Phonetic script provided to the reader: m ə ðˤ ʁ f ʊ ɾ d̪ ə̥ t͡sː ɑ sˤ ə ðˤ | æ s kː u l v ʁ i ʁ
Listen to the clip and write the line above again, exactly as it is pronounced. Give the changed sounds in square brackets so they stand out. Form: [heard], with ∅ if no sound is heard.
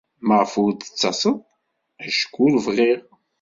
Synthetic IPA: m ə [∅] ʁ f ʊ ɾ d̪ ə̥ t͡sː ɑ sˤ ə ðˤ | æ [ʃ] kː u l v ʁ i ʁ